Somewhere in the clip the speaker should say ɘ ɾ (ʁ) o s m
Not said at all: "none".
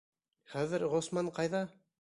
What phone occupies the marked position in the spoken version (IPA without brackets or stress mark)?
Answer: ʁ